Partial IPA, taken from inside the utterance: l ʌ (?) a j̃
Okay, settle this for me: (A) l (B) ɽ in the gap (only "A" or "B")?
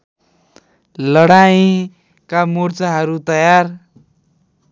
B